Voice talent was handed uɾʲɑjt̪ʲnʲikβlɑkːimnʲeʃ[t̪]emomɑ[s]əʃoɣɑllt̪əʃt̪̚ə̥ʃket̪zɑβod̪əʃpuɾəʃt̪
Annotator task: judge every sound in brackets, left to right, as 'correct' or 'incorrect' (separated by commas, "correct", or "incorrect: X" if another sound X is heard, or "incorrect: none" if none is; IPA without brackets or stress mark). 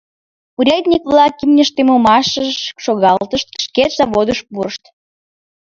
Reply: correct, incorrect: ʃ